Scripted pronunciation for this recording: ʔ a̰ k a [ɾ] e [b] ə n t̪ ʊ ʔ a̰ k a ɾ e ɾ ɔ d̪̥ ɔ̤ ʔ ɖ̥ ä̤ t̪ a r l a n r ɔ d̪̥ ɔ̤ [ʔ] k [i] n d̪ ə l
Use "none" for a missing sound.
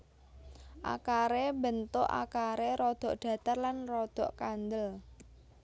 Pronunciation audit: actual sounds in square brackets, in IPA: ɾ, b, ʔ, a

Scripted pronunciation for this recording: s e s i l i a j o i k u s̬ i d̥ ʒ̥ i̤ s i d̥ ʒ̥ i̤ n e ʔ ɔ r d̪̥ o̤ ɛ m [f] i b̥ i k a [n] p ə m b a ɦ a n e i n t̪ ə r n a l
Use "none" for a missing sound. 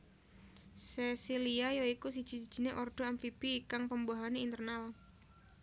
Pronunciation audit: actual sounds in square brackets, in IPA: f, ŋ

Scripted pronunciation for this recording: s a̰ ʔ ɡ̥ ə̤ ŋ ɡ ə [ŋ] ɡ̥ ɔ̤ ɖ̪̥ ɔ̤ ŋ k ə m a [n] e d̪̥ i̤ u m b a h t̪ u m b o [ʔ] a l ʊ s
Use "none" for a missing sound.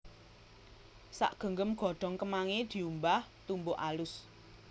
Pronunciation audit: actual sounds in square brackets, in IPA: m, ŋ, ʔ

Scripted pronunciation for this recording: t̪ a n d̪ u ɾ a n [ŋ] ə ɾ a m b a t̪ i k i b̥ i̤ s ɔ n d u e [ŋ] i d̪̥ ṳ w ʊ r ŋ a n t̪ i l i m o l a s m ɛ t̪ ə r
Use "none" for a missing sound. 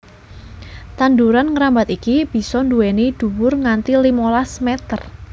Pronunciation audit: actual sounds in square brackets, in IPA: ŋ, n

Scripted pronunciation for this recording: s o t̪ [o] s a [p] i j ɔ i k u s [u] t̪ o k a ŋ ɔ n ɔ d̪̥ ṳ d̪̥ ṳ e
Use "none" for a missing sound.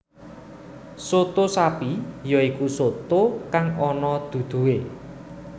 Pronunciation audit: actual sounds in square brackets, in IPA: o, p, o

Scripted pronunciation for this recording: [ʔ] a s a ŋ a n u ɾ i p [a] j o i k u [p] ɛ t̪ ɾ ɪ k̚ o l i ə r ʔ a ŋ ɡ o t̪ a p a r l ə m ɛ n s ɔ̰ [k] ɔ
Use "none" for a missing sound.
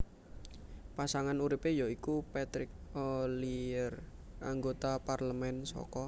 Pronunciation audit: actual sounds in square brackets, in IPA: p, e, p, k

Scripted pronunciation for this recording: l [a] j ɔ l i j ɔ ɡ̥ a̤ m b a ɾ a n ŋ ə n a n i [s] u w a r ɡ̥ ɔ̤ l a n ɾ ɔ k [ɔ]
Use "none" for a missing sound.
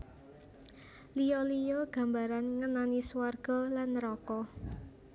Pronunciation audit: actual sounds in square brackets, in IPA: i, s, ɔ

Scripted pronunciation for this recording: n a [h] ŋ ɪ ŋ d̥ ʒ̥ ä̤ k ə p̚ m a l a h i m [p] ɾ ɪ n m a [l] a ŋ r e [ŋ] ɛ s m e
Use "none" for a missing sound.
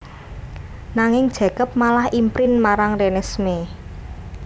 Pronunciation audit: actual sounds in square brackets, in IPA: none, p, ɾ, n

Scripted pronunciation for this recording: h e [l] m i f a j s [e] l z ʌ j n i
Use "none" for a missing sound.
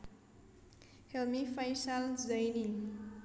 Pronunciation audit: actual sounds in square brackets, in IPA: l, a

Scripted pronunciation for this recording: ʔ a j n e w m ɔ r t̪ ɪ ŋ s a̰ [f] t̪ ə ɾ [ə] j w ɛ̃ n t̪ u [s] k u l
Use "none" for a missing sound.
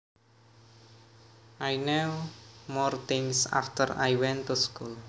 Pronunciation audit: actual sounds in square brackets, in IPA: f, a, s

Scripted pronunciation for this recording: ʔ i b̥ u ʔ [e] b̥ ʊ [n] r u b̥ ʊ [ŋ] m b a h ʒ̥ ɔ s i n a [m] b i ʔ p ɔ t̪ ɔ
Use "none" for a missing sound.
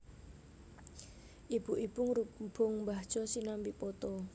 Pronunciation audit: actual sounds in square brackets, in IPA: i, ŋ, ŋ, m

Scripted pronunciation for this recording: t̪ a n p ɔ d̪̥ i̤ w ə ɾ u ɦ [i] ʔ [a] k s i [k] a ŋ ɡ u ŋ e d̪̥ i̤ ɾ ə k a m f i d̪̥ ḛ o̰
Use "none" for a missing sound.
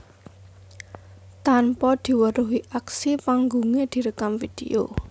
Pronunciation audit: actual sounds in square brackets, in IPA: i, a, p

